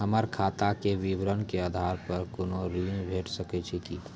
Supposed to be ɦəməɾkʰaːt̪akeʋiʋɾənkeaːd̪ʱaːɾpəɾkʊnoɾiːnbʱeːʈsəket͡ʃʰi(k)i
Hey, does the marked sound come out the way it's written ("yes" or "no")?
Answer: yes